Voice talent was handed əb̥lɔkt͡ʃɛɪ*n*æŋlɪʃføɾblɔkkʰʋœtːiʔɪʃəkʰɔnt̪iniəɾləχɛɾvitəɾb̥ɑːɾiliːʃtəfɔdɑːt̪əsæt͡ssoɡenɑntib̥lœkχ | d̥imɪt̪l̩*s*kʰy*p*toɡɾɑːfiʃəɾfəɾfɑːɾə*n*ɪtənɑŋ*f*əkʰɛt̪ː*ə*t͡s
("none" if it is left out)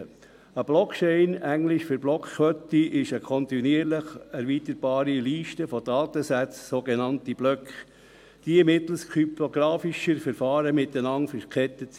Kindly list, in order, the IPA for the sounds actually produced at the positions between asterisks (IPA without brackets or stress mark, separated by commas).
n, s, p, m, f, ə